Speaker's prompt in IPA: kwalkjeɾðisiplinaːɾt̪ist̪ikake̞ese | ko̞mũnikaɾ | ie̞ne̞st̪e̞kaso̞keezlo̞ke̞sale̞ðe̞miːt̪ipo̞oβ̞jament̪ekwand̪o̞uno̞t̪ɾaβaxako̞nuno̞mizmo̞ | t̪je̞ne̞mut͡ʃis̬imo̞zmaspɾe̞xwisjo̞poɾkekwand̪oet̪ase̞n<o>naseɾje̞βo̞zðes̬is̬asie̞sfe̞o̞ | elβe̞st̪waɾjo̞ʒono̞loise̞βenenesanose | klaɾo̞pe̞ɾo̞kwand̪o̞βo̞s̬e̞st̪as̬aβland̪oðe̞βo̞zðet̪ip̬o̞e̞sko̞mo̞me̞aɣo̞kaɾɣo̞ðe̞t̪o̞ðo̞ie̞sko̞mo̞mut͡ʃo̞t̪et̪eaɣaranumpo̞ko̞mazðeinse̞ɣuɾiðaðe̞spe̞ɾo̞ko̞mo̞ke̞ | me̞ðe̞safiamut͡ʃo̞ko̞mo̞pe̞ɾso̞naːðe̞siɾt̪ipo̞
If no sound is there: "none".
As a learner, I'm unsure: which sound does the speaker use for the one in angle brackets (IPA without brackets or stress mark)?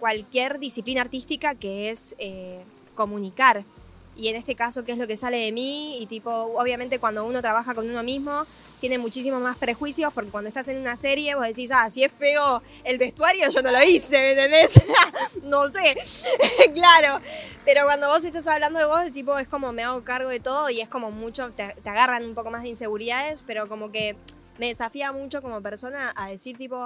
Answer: u